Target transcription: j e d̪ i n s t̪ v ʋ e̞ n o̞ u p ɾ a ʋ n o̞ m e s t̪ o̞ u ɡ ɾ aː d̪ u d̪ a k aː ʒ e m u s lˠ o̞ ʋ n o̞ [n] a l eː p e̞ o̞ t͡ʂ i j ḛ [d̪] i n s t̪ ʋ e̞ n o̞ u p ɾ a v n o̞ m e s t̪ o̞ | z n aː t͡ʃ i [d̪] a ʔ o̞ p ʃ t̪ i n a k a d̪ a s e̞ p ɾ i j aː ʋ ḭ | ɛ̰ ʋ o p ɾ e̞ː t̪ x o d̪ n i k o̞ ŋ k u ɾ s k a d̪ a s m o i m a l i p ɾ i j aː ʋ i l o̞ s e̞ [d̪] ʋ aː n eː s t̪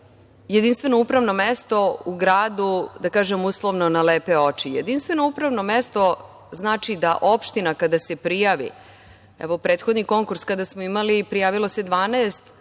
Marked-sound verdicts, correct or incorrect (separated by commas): correct, correct, correct, correct